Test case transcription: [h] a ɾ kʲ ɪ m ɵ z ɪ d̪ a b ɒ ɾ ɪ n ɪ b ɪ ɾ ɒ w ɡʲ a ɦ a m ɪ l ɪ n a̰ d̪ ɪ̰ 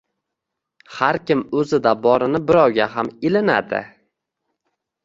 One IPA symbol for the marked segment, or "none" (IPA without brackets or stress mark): h